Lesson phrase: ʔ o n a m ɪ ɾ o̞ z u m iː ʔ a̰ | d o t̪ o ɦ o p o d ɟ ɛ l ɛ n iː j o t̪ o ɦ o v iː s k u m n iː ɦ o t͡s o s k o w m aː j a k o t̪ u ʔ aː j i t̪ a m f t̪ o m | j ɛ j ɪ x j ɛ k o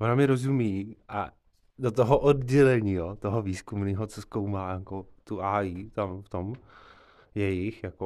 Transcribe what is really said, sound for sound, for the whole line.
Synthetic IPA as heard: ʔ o n a m ɪ ɾ o̞ z u m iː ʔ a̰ | d o t̪ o ɦ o ʔ o d ɟ ɛ l ɛ ɲ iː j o t̪ o ɦ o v iː s k u m n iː ɦ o t͡s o s k o w m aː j a k o t̪ u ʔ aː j i t̪ a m f t̪ o m | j ɛ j ɪ x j a k o